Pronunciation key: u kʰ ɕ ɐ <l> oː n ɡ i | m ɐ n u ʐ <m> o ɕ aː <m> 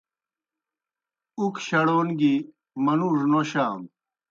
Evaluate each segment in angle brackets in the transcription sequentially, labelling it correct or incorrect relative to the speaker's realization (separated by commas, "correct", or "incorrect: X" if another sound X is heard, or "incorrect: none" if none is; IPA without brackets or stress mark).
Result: incorrect: ɽ, incorrect: n, correct